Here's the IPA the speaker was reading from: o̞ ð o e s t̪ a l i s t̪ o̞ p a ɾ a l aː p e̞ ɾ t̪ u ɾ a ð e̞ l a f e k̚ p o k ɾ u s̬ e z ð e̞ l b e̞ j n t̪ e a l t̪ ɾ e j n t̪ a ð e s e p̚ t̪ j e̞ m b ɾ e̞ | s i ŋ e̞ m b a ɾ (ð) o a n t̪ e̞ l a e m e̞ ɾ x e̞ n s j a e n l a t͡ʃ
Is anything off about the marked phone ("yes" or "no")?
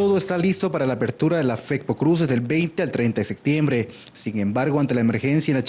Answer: yes